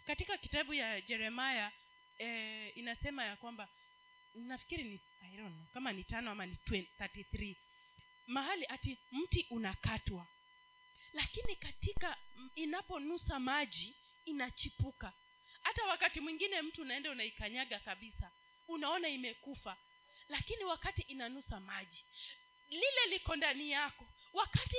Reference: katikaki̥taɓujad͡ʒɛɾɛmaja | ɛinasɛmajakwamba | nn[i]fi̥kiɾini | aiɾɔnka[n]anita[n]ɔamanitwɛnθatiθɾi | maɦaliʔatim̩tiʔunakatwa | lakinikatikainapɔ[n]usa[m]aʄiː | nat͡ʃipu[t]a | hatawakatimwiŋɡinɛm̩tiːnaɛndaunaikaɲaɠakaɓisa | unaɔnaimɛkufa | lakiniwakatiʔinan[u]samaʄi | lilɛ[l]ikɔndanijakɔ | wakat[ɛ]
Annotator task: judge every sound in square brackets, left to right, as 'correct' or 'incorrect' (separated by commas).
incorrect, incorrect, correct, correct, correct, incorrect, correct, correct, incorrect